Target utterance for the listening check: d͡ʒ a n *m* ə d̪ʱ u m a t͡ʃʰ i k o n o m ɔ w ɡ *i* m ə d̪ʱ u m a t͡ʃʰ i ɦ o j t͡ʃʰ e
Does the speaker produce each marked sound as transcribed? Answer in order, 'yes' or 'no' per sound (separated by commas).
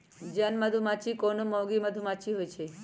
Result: yes, yes